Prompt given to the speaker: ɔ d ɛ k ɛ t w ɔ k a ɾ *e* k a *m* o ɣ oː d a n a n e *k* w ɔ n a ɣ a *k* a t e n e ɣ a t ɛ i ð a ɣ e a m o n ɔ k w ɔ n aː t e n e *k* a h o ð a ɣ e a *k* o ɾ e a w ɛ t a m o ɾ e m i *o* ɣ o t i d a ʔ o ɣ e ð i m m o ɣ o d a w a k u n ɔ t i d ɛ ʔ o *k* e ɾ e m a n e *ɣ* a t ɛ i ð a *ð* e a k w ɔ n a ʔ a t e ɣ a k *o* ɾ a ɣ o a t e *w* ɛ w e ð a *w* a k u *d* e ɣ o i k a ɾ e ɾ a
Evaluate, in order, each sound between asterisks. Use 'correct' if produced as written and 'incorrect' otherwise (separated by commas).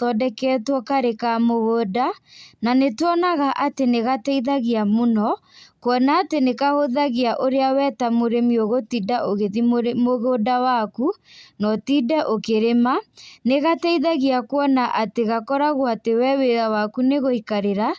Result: correct, correct, incorrect, incorrect, correct, incorrect, correct, correct, correct, incorrect, incorrect, correct, correct, incorrect